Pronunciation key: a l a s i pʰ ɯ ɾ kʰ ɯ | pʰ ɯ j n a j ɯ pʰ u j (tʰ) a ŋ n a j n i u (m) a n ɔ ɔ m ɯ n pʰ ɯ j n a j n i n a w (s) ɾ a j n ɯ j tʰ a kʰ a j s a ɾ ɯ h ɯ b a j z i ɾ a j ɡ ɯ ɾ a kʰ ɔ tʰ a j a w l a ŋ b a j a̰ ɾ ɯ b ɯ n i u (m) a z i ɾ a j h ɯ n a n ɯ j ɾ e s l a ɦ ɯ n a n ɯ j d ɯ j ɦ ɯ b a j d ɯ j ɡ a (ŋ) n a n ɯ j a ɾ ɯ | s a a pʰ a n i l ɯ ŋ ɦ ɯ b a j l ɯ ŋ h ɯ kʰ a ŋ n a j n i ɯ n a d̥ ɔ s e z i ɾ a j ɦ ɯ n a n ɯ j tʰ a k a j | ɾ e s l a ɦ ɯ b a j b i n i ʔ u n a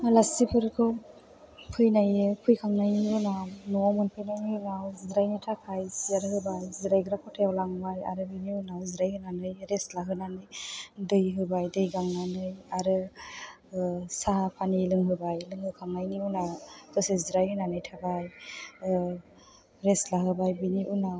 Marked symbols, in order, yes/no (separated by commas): no, no, no, no, yes